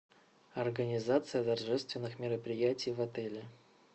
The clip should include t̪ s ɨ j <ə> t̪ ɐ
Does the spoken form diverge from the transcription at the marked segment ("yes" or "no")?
no